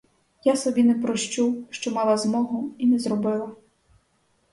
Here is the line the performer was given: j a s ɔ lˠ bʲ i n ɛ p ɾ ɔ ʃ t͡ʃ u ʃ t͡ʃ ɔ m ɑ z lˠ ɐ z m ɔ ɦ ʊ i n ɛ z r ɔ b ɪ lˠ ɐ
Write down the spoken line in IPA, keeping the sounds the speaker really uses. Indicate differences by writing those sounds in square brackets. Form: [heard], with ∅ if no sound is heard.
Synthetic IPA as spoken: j a s ɔ [∅] bʲ i n ɛ p ɾ ɔ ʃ t͡ʃ u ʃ t͡ʃ ɔ m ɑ [∅] lˠ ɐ z m ɔ ɦ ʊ i n ɛ z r ɔ b ɪ lˠ ɐ